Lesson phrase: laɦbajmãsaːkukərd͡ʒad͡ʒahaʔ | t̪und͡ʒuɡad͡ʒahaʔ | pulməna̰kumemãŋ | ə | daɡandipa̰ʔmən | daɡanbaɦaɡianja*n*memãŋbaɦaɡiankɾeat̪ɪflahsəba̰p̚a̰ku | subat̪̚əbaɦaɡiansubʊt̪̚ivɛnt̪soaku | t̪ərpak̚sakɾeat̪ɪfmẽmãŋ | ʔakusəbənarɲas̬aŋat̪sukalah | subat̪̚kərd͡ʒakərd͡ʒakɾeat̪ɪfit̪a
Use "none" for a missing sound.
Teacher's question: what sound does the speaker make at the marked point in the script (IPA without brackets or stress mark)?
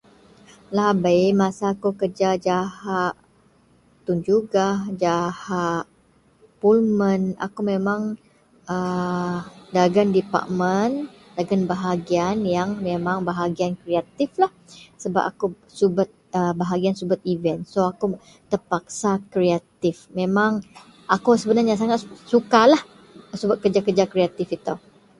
ŋ